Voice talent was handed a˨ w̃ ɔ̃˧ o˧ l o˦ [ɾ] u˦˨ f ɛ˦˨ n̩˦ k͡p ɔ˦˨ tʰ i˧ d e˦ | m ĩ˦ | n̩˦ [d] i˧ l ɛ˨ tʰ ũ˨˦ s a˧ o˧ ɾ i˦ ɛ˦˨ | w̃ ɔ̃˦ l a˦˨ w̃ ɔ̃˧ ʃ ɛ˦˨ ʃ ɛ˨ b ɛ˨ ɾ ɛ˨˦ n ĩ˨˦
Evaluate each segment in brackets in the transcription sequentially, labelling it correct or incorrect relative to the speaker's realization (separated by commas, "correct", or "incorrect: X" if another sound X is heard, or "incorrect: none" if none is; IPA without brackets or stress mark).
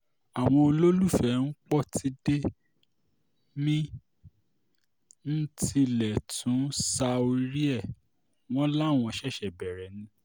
incorrect: l, incorrect: t